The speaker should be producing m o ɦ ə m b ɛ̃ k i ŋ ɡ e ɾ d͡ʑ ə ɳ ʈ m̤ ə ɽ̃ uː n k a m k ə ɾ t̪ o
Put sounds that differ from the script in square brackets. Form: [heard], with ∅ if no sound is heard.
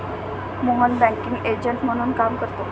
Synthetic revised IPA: m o ɦ ə [n] b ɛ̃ k i ŋ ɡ e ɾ d͡ʑ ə ɳ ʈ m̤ ə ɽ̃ uː n k a m k ə ɾ t̪ o